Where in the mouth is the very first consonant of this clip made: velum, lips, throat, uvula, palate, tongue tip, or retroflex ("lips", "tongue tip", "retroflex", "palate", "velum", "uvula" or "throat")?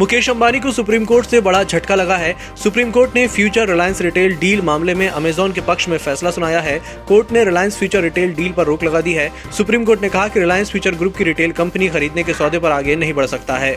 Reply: lips